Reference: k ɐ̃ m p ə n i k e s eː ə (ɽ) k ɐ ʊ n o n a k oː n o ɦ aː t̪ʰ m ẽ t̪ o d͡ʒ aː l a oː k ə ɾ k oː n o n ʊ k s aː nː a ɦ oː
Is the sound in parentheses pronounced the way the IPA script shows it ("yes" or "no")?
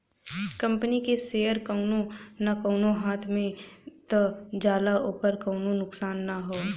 no